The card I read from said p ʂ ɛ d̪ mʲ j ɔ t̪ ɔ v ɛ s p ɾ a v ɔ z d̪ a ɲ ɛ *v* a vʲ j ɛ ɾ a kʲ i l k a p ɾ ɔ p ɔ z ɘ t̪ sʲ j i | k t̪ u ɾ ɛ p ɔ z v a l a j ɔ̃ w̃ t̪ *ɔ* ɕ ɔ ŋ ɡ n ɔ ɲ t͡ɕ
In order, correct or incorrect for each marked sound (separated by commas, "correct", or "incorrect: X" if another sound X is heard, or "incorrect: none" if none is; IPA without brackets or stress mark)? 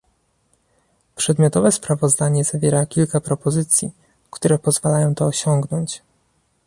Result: incorrect: z, incorrect: ɔː